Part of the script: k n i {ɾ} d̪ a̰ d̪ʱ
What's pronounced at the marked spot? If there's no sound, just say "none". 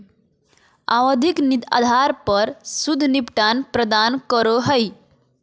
none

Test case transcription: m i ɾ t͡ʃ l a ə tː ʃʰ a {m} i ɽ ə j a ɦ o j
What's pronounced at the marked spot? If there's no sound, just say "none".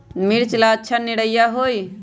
n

